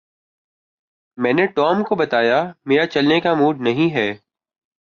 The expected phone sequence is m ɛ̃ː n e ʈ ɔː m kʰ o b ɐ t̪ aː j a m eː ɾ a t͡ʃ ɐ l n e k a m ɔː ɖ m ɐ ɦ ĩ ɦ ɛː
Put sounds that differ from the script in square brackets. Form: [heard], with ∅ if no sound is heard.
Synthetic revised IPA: m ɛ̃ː n e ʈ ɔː m [k] o b ɐ t̪ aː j a m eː ɾ a t͡ʃ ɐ l n e k a m [uː] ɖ [n] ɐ ɦ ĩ ɦ ɛː